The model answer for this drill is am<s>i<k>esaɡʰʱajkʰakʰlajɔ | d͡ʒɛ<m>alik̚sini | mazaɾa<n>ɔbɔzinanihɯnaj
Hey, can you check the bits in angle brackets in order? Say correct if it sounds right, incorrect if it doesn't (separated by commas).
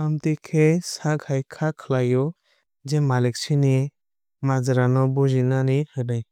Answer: incorrect, incorrect, correct, correct